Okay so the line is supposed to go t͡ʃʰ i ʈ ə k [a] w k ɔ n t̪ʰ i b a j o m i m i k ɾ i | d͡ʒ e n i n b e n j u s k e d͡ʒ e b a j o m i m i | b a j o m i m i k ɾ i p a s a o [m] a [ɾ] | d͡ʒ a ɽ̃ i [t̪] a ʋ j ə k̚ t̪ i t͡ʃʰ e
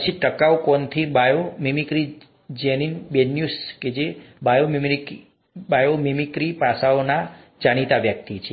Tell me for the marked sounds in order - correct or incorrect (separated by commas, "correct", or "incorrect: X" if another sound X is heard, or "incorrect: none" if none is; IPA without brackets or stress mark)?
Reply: correct, incorrect: n, incorrect: none, correct